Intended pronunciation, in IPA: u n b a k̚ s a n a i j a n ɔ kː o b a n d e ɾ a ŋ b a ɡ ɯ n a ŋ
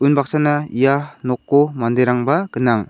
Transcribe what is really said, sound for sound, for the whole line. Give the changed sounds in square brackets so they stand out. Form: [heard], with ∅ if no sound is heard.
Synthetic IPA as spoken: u n b a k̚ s a n a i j a n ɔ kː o [m] a n d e ɾ a ŋ b a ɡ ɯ n a ŋ